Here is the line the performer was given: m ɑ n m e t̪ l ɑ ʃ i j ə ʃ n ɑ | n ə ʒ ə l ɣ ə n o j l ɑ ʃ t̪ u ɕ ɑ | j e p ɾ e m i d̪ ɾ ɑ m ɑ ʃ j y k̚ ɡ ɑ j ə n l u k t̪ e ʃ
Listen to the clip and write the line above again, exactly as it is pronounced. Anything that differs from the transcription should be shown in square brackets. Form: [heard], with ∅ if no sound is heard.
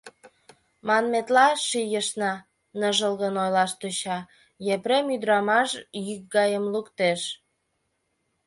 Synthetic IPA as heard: m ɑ n m e t̪ l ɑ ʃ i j ə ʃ n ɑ | n ə ʒ ə l ɣ ə n o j l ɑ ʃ t̪ u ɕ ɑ | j e p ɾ e m [y] d̪ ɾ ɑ m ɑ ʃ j y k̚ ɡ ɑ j ə [m] l u k t̪ e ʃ

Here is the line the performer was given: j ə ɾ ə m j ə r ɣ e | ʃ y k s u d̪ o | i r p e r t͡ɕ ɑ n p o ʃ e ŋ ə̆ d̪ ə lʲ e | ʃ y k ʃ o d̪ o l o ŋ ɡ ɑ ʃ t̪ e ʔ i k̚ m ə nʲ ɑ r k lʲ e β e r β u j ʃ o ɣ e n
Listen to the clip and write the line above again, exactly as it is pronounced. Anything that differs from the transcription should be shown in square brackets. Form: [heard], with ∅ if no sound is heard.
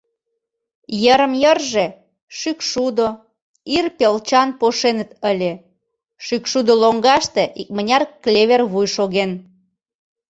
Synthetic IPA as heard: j ə ɾ ə m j ə r [ʒ] e | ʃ y k [ʃ] u d̪ o | i r p e [l] t͡ɕ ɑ n p o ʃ e [n] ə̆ [t̪] ə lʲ e | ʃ y k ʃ [u] d̪ o l o ŋ ɡ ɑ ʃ t̪ e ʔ i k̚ m ə nʲ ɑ r k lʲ e β e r β u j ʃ o ɣ e n

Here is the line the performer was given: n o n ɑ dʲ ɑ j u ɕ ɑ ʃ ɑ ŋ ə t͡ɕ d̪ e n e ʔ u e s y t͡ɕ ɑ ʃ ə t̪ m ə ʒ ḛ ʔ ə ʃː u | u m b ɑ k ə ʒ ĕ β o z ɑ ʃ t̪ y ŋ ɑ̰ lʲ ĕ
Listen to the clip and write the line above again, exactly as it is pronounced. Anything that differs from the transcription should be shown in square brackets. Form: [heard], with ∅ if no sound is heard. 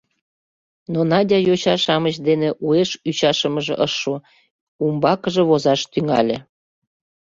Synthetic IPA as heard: n o n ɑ dʲ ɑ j [o] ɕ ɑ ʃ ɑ [m] ə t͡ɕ d̪ e n e ʔ u e [ʃ] y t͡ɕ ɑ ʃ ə [∅] m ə ʒ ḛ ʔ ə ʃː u | u m b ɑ k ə ʒ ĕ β o z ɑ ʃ t̪ y ŋ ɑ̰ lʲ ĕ

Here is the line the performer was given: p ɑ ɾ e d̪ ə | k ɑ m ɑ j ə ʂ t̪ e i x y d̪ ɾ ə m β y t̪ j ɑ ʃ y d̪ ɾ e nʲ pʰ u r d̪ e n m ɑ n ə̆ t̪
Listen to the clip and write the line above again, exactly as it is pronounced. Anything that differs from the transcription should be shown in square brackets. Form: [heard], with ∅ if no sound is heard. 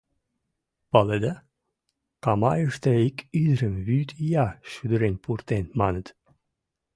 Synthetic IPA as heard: p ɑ [l] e d̪ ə | k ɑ m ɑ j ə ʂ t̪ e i [k] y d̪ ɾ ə m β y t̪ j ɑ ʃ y d̪ ɾ e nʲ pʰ u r [t̪] e n m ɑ n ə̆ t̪

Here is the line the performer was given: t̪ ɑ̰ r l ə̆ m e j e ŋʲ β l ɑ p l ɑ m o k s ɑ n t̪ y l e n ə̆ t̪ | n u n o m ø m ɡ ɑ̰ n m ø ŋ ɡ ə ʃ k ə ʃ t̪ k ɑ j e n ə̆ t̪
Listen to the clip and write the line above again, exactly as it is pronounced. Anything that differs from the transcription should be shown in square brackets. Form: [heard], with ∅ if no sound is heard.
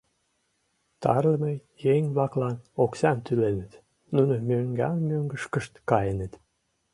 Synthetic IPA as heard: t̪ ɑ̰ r l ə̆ m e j e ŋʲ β l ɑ [k] l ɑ [n] o k s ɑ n t̪ y l e n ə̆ t̪ | n u n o m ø [ŋ] ɡ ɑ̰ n m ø ŋ ɡ ə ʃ k ə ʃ t̪ k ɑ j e n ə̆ t̪

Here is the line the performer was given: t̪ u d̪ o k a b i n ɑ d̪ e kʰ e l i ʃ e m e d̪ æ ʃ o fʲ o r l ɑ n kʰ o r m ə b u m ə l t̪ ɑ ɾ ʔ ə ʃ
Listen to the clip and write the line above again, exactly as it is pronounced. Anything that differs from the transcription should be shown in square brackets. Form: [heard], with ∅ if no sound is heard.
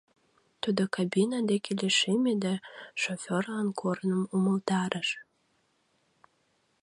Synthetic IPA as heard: t̪ u d̪ o k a b i n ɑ d̪ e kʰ e l [e] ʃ e m e d̪ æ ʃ o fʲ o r l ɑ n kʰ o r [n] ə [m] u m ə l t̪ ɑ ɾ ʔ ə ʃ

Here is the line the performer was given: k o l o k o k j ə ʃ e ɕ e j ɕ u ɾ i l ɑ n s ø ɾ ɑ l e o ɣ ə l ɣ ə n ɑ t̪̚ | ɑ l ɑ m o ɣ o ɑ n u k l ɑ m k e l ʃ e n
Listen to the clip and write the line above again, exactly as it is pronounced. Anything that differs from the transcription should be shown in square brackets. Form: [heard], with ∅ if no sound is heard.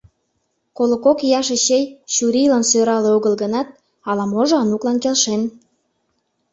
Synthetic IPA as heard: k o l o k o k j [ɑ] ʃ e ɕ e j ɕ u ɾ i l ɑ n s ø ɾ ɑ l e o ɣ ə l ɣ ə n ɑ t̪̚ | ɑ l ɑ m o [ʒ] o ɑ n u k l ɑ [n] k e l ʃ e n

